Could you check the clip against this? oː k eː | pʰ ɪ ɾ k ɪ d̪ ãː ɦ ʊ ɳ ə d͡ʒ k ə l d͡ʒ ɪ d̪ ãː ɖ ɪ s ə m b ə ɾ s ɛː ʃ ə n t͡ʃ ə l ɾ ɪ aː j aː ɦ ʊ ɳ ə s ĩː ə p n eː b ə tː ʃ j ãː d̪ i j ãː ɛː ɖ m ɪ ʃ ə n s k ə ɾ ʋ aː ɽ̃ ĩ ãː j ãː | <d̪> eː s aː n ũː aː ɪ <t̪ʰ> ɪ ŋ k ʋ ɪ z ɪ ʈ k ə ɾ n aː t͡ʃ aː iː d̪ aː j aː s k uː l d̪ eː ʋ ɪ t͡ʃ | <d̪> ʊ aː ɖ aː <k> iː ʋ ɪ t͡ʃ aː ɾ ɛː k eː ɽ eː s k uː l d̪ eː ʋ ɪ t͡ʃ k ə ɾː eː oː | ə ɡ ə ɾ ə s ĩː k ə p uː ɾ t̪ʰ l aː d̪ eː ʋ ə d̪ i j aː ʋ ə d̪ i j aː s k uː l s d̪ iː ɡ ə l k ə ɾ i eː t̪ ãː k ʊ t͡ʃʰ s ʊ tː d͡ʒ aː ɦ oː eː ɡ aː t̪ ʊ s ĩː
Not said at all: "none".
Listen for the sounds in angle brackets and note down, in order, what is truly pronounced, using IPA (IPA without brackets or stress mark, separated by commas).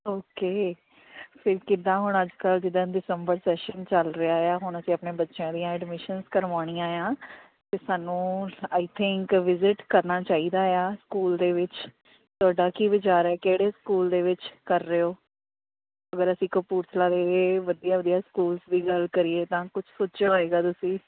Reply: t̪, t̪ʰ, t̪, k